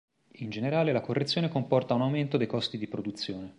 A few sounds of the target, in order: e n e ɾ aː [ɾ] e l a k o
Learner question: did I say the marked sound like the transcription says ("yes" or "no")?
no